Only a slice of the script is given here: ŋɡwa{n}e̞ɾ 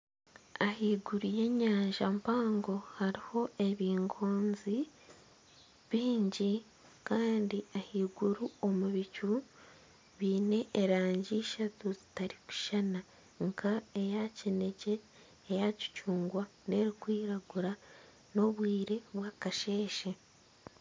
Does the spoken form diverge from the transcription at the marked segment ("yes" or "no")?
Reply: no